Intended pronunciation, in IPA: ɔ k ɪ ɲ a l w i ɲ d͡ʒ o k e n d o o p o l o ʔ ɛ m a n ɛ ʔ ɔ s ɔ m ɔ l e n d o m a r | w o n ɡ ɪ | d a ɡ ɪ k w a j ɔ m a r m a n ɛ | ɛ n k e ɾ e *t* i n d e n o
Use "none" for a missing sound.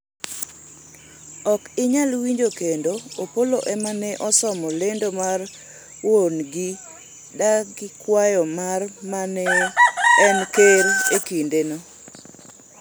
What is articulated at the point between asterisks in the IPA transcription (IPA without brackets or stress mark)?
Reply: k